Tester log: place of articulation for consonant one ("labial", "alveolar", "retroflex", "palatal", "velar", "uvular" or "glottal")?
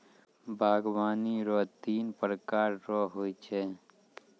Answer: labial